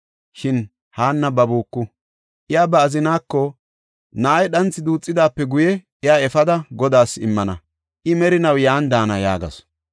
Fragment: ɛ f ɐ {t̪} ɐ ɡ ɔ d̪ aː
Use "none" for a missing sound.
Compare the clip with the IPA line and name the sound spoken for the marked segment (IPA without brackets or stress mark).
d̪